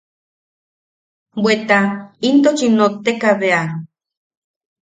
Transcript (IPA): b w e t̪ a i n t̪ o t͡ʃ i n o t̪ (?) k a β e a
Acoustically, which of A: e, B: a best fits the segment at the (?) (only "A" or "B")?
A